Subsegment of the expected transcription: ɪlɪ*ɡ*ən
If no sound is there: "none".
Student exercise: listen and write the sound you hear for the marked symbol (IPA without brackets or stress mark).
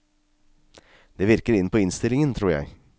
ŋ